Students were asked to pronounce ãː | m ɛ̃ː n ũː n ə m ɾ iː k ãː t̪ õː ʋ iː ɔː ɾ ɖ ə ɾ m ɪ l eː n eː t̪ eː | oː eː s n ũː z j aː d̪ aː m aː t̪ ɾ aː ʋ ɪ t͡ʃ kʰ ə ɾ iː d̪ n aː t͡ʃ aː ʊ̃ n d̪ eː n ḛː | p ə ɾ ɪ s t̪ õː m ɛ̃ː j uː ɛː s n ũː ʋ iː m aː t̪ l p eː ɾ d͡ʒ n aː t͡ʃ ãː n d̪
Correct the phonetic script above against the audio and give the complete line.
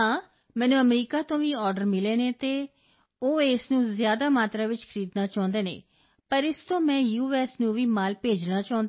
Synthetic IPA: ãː | m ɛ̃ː n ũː ə m ɾ iː k aː t̪ õː ʋ iː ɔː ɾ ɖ ə ɾ m ɪ l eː n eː t̪ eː | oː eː s n ũː z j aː d̪ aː m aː t̪ ɾ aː ʋ ɪ t͡ʃ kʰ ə ɾ iː d̪ n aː t͡ʃ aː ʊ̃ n d̪ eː n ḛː | p ə ɾ ɪ s t̪ õː m ɛ̃ː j uː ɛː s n ũː ʋ iː m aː l p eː d͡ʒ n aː t͡ʃ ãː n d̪